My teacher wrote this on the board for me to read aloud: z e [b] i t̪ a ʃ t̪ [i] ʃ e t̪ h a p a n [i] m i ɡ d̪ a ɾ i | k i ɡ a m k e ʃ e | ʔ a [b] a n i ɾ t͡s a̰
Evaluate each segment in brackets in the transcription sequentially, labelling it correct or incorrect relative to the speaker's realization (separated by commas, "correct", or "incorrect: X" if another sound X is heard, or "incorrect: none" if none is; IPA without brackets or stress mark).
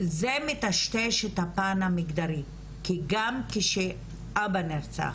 incorrect: m, incorrect: e, incorrect: a, correct